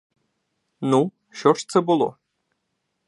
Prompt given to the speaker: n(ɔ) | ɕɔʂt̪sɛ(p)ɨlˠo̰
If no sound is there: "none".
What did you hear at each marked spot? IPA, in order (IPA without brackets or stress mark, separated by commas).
u, b